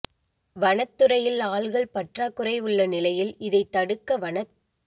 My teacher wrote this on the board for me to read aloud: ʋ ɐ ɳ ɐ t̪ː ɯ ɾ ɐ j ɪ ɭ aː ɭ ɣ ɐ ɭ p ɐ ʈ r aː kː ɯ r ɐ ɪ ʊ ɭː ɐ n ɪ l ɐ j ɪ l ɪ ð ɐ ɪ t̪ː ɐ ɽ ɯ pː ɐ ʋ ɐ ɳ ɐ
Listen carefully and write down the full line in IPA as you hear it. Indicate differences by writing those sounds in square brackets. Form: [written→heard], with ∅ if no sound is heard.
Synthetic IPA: ʋ ɐ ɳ ɐ t̪ː ɯ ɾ ɐ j ɪ [ɭ→l] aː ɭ ɣ ɐ ɭ p ɐ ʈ r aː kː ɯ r ɐ ɪ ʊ ɭː ɐ n ɪ l ɐ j ɪ l ɪ ð ɐ ɪ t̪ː ɐ ɽ ɯ [pː→kː] ɐ ʋ ɐ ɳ ɐ